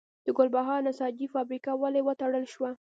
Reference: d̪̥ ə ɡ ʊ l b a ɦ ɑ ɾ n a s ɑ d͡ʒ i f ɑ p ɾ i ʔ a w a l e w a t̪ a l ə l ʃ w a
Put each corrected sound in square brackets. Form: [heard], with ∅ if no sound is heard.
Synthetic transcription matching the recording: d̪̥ ə ɡ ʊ l b a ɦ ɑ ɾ n a s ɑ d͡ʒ i f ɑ [b] ɾ i [k] a w a l e w [ə] t̪ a [ɽ] ə l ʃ w a